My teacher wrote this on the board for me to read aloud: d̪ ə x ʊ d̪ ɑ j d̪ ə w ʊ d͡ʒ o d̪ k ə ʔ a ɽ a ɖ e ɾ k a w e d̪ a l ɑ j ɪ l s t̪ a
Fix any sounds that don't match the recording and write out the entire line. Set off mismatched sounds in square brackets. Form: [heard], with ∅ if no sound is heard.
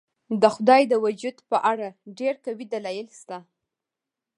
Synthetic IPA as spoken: d̪ ə x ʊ d̪ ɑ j d̪ ə w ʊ d͡ʒ [u] d̪ [p] ə ʔ a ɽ a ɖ e ɾ k a w [i] d̪ a l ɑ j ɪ l s t̪ a